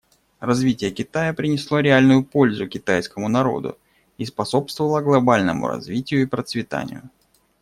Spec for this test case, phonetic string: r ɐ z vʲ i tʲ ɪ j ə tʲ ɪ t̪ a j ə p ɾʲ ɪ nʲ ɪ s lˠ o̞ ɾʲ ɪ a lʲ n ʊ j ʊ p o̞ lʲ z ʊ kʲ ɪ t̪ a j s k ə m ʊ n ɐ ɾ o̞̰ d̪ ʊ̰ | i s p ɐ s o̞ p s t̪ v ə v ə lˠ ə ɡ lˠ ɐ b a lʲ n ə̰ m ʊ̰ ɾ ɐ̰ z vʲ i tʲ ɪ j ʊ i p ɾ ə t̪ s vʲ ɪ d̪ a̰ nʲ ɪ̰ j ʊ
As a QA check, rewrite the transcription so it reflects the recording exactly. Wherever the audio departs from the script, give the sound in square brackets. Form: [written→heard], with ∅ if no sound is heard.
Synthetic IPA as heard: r ɐ z vʲ i tʲ ɪ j ə [tʲ→kʲ] ɪ t̪ a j ə p ɾʲ ɪ nʲ ɪ s lˠ o̞ ɾʲ ɪ a lʲ n ʊ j ʊ p o̞ lʲ z ʊ kʲ ɪ t̪ a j s k ə m ʊ n ɐ ɾ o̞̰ d̪ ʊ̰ | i s p ɐ s o̞ p s t̪ v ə v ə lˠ ə ɡ lˠ ɐ b a lʲ n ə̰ m ʊ̰ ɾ ɐ̰ z vʲ i tʲ ɪ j ʊ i p ɾ ə t̪ s vʲ ɪ [d̪→t̪] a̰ nʲ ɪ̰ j ʊ